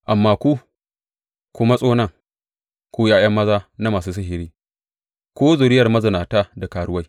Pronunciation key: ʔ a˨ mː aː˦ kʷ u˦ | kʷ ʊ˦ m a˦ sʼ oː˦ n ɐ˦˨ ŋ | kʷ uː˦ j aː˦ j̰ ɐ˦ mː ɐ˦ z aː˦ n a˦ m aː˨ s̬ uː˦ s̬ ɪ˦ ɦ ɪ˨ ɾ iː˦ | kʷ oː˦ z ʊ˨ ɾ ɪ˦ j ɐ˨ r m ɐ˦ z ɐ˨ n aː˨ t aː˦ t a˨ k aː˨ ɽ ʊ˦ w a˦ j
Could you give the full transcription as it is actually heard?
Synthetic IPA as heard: ʔ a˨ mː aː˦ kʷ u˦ | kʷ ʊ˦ m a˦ sʼ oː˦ n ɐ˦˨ ŋ | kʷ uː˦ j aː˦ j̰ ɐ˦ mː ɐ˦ z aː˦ n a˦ m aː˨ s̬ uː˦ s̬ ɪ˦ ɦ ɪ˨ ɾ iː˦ | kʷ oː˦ z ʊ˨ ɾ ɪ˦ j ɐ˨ r m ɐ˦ z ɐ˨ n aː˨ t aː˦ d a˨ k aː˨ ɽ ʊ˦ w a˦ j